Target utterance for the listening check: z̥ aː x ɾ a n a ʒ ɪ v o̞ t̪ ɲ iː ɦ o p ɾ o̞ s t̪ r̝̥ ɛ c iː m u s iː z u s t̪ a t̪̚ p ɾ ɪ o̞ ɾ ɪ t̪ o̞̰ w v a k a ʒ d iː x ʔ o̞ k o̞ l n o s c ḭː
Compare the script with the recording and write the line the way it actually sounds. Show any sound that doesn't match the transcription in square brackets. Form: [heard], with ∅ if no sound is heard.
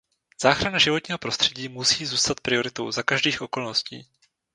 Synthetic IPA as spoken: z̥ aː x ɾ a n a ʒ ɪ v o̞ t̪ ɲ iː ɦ o p ɾ o̞ s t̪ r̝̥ ɛ [ɟ] iː m u s iː z [uː] s t̪ a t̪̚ p ɾ ɪ o̞ ɾ ɪ t̪ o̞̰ w [z] a k a ʒ d iː x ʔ o̞ k o̞ l n o s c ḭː